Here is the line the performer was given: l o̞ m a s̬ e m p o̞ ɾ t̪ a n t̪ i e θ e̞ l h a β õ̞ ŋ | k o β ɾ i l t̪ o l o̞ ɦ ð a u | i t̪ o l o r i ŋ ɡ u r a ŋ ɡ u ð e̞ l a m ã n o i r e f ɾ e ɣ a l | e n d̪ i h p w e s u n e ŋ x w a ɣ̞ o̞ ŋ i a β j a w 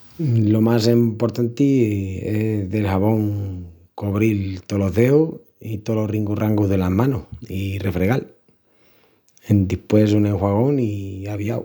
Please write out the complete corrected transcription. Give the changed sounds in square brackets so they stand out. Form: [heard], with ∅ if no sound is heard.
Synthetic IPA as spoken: l o̞ m a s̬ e m p o̞ ɾ t̪ a n t̪ i e [ð] e̞ l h a β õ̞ ŋ | k o β ɾ i l t̪ o l o̞ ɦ ð [e] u | i t̪ o l o r i ŋ ɡ u r a ŋ ɡ u ð e̞ l a m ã n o i r e f ɾ e ɣ a l | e n d̪ i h p w e s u n e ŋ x w a ɣ̞ o̞ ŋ i a β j a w